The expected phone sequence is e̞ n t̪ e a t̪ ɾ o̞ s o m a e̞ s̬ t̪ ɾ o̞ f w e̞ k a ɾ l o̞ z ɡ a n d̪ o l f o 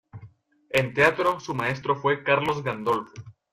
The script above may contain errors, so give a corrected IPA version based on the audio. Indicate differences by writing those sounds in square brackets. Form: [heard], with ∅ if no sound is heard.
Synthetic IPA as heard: e̞ n t̪ e a t̪ ɾ o̞ s [u] m a e̞ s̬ t̪ ɾ o̞ f w e̞ k a ɾ l o̞ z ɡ a n d̪ o l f o